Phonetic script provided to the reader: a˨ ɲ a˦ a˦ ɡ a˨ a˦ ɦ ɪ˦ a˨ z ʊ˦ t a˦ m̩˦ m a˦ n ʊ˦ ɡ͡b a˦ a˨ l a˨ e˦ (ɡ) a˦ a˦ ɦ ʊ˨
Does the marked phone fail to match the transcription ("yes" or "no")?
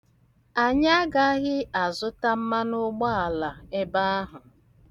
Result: yes